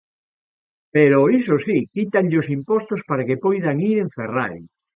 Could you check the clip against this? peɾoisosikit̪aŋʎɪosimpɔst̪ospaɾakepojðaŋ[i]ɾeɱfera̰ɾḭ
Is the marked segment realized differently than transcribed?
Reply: no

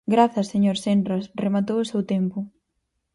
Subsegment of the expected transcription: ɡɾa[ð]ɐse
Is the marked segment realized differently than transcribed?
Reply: yes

